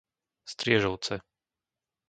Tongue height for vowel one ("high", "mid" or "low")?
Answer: high